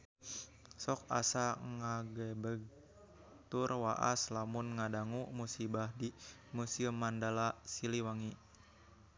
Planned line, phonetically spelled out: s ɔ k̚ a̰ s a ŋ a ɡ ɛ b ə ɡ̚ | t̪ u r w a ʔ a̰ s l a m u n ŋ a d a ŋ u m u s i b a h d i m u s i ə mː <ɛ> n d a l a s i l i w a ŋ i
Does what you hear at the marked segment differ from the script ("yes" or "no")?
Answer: yes